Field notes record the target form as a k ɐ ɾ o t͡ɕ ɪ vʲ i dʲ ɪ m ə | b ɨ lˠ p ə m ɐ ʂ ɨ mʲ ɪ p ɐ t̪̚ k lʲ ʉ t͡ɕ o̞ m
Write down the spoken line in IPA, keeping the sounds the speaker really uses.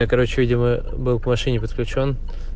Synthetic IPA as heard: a k ɐ ɾ o t͡ɕ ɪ vʲ i dʲ ɪ m ə | b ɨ lˠ p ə m ɐ ʂ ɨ nʲ ɪ p ə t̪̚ k lʲ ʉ t͡ɕ o̞ n